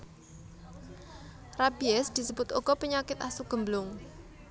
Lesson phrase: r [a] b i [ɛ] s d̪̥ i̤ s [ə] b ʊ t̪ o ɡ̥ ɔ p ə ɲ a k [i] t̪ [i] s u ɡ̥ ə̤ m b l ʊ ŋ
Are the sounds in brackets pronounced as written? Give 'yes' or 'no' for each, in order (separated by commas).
yes, yes, yes, no, no